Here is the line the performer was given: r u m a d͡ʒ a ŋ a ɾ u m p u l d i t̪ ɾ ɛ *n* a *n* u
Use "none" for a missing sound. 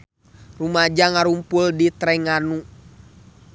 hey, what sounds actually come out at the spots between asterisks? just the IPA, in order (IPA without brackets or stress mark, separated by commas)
ŋ, n